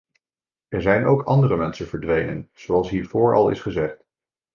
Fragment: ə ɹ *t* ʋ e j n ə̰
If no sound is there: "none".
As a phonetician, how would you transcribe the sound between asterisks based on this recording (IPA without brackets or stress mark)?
d